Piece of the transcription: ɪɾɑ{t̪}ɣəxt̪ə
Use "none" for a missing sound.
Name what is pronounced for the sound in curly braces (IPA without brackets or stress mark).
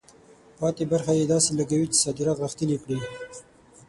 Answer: t̪